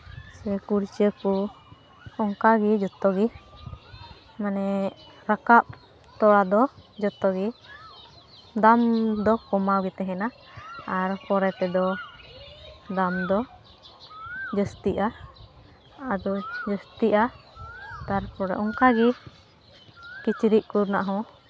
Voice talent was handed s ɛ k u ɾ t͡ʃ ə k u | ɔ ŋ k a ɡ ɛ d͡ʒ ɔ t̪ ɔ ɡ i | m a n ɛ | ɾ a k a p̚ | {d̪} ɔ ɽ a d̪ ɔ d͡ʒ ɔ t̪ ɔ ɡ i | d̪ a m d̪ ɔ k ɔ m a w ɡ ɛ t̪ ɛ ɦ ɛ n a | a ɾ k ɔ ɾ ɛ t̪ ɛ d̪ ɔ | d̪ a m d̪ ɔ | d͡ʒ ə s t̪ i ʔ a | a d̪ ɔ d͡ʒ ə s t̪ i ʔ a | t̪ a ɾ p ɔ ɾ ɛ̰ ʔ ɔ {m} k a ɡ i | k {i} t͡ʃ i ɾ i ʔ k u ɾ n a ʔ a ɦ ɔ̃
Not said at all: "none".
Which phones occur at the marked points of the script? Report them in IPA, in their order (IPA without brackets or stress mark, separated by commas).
t̪, ŋ, i